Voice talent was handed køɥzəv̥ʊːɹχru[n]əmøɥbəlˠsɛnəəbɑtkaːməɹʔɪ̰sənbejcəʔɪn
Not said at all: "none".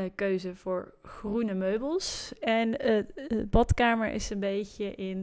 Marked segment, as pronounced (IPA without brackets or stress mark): n